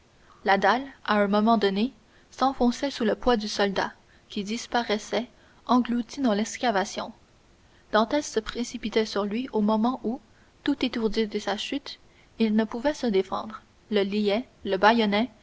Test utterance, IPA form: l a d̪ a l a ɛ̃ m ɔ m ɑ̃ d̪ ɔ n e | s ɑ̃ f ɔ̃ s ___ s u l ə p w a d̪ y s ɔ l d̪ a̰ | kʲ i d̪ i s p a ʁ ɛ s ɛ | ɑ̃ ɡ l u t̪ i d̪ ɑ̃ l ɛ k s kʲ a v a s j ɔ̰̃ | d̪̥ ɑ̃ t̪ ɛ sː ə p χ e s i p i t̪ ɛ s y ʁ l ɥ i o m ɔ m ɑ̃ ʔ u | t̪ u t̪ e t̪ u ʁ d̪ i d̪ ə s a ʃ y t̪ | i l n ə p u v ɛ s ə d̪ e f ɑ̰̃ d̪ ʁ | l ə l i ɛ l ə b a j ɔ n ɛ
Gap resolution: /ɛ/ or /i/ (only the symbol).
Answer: ɛ